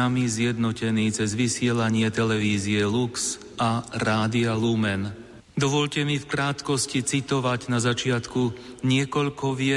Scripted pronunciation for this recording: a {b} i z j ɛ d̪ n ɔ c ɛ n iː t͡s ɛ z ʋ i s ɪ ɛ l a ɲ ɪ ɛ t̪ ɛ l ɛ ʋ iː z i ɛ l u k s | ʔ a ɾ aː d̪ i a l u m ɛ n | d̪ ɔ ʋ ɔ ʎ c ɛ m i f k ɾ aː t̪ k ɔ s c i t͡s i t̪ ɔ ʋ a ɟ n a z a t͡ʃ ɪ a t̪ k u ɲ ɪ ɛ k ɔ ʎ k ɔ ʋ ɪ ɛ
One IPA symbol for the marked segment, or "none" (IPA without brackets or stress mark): m